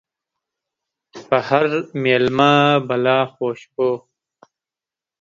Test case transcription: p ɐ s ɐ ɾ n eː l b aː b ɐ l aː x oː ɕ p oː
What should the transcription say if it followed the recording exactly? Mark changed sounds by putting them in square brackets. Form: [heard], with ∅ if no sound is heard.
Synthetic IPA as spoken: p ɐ [h] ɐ ɾ [m] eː l [m] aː b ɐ l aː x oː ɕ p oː